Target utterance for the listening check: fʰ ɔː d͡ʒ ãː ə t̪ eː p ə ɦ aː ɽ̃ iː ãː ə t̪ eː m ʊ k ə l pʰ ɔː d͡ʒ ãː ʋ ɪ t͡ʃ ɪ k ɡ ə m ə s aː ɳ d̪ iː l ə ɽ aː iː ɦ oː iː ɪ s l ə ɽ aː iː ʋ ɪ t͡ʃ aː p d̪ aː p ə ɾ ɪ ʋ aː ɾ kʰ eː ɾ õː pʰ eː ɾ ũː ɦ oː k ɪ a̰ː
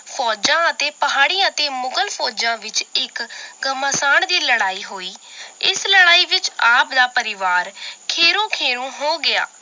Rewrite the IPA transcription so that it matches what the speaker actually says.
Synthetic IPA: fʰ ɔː d͡ʒ ãː ə t̪ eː p ə ɦ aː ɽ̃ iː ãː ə t̪ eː m ʊ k ə l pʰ ɔː d͡ʒ ãː ʋ ɪ t͡ʃ ɪ k ɡ ə m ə s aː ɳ d̪ iː l ə ɽ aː iː ɦ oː iː ɪ s l ə ɽ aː iː ʋ ɪ t͡ʃ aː p d̪ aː p ə ɾ ɪ ʋ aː ɾ kʰ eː ɾ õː kʰ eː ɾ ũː ɦ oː ɡ ɪ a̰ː